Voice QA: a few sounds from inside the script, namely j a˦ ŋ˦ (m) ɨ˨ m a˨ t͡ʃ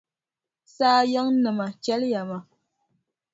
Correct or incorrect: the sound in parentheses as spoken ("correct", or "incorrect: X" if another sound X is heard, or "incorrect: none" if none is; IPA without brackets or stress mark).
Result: incorrect: n